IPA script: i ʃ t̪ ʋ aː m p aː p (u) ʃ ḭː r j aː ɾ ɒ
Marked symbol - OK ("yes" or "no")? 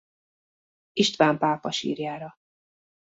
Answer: no